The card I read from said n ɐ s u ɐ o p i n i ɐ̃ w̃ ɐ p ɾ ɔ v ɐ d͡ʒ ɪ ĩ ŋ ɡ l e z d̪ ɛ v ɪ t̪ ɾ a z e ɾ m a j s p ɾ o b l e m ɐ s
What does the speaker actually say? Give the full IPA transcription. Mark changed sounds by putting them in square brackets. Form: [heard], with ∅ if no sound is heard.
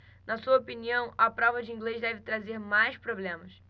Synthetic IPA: n ɐ s u ɐ o p i n i ɐ̃ w̃ ɐ p ɾ ɔ v ɐ d͡ʒ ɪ ĩ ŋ ɡ l e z d̪ ɛ v ɪ t̪ ɾ a z e ɾ m a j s p ɾ o b l [ẽ] m ɐ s